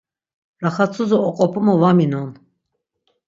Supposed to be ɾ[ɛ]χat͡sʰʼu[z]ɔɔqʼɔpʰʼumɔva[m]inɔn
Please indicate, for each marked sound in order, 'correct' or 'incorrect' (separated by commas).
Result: incorrect, correct, correct